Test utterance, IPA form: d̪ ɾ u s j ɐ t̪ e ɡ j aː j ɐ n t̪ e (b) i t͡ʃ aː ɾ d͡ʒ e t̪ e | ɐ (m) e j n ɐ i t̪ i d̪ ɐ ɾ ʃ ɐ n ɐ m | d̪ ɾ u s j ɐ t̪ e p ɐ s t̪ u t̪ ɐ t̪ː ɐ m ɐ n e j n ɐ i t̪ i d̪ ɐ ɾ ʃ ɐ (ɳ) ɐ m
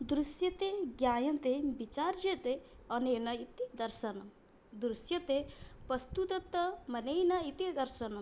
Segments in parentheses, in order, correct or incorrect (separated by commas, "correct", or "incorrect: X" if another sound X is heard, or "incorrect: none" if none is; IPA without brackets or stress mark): correct, incorrect: n, incorrect: n